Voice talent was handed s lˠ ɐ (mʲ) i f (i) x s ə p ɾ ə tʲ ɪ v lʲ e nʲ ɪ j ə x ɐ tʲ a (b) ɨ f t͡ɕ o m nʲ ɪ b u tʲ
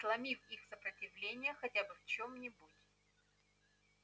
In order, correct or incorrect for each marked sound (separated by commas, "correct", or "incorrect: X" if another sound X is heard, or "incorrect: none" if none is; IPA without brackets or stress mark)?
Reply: correct, correct, correct